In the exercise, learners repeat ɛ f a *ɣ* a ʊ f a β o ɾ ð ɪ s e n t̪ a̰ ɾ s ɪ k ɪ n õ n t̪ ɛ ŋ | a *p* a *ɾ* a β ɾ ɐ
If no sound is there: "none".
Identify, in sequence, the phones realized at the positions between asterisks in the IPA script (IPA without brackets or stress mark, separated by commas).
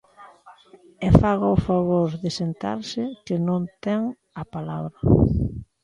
ɣ, p, l